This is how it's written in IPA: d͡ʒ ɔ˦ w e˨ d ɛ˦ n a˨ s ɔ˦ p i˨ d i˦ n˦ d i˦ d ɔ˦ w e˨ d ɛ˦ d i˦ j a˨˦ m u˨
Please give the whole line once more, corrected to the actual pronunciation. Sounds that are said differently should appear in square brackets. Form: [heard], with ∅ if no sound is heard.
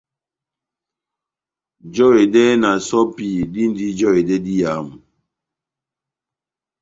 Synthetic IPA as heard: d͡ʒ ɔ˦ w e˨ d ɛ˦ n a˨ s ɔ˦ p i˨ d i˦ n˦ d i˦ [d͡ʒ] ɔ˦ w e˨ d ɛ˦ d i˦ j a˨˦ m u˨